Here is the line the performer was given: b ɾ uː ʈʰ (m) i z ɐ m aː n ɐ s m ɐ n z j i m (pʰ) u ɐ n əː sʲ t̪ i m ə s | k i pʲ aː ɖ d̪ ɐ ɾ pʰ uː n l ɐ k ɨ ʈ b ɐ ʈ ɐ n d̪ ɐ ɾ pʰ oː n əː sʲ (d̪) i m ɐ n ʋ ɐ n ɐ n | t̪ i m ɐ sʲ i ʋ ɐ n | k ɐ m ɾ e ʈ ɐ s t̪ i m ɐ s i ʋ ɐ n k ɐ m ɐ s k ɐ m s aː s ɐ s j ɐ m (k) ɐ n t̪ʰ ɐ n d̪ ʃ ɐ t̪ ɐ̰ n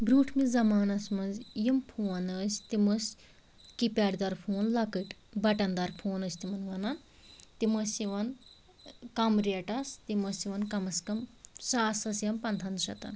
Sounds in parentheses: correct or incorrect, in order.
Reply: correct, correct, incorrect, incorrect

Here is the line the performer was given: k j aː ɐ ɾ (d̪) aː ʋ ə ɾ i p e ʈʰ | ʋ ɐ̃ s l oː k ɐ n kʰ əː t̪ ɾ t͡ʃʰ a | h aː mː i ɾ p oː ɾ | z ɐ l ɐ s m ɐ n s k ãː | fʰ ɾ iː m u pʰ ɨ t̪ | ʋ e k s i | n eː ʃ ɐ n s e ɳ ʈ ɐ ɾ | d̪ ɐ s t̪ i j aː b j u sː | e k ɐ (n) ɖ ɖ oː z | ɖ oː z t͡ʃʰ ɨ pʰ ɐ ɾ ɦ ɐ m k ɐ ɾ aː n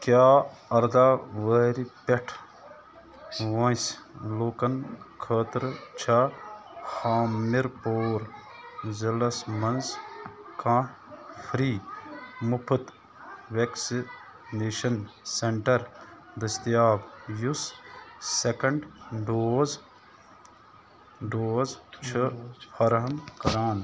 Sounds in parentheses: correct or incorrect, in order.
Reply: correct, incorrect

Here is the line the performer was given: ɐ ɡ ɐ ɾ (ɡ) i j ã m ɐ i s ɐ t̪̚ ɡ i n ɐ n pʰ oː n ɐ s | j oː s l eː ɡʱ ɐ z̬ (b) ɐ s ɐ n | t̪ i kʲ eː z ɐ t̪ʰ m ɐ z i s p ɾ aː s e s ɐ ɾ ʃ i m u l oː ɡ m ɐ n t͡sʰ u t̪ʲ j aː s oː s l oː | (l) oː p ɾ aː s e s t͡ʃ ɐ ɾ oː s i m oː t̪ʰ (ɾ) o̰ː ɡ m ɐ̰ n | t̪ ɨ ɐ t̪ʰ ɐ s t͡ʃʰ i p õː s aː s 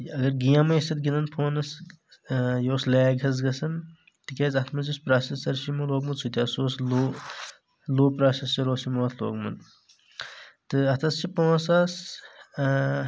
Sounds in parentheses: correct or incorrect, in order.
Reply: correct, incorrect, correct, incorrect

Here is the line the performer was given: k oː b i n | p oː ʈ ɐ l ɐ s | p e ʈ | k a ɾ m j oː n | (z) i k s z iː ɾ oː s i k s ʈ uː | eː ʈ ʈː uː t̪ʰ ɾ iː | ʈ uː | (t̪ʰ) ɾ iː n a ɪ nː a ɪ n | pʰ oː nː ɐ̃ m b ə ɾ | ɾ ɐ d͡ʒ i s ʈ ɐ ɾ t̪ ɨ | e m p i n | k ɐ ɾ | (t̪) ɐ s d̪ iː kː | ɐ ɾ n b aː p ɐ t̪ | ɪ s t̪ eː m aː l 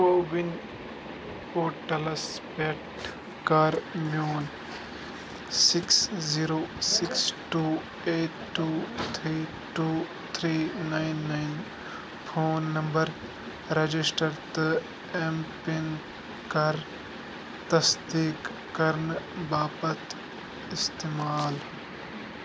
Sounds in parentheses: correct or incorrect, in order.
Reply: incorrect, correct, correct

